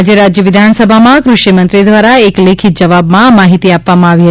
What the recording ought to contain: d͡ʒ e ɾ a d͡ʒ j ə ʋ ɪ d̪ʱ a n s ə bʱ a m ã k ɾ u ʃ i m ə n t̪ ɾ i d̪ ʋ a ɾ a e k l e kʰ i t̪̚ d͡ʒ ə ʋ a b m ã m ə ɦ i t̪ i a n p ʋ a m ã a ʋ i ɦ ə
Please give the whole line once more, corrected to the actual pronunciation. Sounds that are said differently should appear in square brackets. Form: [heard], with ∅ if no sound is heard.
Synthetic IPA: d͡ʒ e ɾ a d͡ʒ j ə ʋ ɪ d̪ʱ a n s ə bʱ a m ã k ɾ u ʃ i m ə n t̪ ɾ i d̪ ʋ a ɾ a e k l e kʰ i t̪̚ d͡ʒ ə ʋ a b m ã m [a] ɦ i t̪ i a [∅] p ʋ a m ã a ʋ i ɦ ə